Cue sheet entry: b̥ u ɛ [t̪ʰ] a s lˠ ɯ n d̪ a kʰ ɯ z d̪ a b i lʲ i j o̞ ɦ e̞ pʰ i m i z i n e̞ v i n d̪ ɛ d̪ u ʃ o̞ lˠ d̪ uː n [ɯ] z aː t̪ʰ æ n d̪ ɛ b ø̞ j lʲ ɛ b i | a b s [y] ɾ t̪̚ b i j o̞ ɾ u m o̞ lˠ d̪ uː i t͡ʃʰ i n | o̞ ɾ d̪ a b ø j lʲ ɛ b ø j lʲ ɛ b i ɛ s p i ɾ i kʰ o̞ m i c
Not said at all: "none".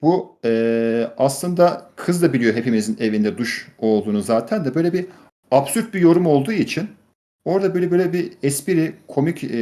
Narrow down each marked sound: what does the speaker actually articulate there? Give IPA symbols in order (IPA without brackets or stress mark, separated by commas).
none, u, y